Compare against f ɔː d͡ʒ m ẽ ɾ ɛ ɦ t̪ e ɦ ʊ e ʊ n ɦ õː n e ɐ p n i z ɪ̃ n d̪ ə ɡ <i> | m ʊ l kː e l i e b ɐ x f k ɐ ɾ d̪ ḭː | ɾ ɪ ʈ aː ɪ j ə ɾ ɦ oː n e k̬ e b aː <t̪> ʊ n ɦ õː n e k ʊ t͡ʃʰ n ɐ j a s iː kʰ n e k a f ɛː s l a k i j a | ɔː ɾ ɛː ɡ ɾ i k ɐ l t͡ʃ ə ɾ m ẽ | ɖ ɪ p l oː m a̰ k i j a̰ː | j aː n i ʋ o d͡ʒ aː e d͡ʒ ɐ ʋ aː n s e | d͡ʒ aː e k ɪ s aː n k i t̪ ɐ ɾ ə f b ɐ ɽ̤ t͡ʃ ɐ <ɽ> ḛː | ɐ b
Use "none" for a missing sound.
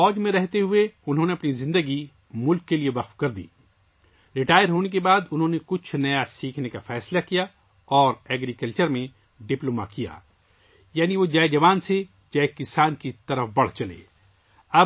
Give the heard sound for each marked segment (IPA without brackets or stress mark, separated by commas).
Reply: i, d̪, l